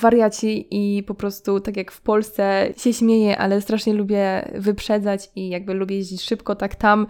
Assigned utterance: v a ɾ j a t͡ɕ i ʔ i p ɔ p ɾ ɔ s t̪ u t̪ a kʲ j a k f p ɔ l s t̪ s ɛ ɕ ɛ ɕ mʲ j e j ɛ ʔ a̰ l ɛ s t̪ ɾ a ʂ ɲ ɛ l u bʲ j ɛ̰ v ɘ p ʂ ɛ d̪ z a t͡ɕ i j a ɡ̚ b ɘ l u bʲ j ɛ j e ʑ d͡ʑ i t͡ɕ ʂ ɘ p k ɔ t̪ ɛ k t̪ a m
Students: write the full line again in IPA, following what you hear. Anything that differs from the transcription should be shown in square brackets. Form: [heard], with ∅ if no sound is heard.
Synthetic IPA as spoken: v a ɾ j a t͡ɕ i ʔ i p ɔ p ɾ ɔ s t̪ u t̪ a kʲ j a k f p ɔ l s t̪ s ɛ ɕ ɛ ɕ mʲ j e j ɛ ʔ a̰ l ɛ s t̪ ɾ a ʂ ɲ ɛ l u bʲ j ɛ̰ v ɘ p ʂ ɛ d̪ z a t͡ɕ i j a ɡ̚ b ɘ l u bʲ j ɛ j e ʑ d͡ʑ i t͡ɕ ʂ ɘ p k ɔ t̪ [a] k t̪ a m